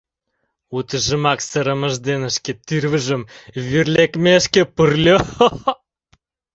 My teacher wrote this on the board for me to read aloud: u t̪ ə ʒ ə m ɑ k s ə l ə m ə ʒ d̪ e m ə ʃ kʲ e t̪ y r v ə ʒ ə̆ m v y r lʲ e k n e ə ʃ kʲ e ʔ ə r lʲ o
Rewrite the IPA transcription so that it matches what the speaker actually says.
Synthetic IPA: u t̪ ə ʒ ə m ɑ k s ə ɾ ə m ə ʒ d̪ e n ə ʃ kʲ e t̪ y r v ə ʒ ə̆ m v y r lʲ e k m e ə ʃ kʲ e p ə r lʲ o